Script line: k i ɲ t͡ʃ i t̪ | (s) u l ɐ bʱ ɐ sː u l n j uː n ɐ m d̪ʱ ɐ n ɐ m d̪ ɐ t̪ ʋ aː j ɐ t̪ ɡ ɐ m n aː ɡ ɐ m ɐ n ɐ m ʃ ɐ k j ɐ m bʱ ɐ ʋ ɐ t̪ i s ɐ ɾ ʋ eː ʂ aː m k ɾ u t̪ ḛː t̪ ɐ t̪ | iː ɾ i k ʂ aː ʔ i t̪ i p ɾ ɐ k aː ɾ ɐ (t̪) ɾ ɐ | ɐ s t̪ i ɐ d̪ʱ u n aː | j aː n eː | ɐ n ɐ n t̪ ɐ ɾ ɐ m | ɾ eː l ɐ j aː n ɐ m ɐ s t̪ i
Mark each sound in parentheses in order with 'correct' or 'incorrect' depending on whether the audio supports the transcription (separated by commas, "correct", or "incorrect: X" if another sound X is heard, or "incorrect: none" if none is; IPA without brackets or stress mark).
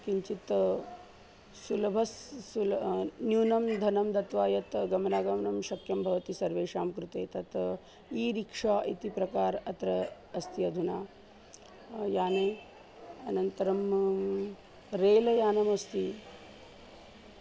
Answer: correct, correct